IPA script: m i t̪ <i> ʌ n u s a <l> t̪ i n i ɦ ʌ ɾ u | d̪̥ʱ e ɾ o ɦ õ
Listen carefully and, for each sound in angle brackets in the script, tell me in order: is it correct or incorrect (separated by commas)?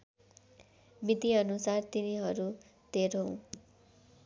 correct, incorrect